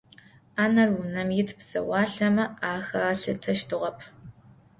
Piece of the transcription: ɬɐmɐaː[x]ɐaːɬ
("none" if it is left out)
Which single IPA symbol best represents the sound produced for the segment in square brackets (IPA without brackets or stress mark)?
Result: x